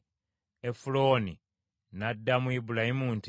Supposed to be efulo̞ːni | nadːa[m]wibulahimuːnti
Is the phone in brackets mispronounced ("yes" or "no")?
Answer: no